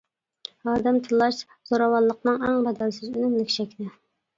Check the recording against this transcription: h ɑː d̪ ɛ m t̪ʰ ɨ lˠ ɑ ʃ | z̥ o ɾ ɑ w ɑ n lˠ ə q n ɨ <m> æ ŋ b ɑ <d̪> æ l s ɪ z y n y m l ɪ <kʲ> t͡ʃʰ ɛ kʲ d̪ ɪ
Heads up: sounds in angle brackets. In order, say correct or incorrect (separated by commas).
incorrect, correct, correct